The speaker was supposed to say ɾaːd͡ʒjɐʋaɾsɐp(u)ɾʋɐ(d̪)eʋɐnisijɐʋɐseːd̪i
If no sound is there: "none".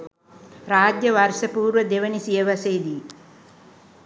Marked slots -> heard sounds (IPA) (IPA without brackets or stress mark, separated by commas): uː, d̪